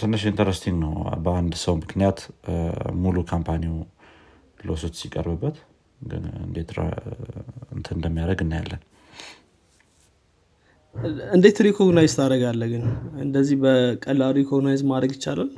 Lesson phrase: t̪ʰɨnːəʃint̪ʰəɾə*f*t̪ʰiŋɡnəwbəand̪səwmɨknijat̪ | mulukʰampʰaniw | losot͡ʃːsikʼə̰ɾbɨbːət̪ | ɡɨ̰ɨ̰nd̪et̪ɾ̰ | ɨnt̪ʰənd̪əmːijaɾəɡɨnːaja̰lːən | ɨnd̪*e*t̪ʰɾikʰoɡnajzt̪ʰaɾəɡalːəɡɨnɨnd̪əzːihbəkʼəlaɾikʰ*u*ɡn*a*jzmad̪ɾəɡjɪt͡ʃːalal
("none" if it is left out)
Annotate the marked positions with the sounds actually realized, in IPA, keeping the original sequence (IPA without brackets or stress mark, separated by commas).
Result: s, e, o, a